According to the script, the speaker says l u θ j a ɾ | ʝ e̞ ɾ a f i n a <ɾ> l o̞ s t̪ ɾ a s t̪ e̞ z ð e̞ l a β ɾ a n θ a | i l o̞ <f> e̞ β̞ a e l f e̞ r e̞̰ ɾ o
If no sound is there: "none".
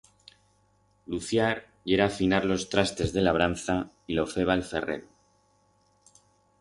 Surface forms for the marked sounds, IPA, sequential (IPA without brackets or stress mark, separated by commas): ɾ, f